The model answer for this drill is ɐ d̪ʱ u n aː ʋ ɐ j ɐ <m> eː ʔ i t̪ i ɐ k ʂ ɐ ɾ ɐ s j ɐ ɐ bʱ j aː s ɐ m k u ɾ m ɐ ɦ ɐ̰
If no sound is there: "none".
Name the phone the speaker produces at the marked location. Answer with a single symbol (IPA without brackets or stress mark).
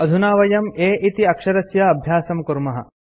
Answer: m